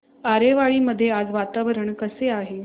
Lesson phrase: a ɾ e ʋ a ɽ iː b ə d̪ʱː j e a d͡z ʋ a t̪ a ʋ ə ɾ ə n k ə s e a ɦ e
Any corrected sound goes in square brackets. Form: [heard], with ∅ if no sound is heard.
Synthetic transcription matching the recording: a ɾ e ʋ a [ɭ] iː [m] ə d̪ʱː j e a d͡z ʋ a t̪ a ʋ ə ɾ ə [ɳ] k ə s e a ɦ e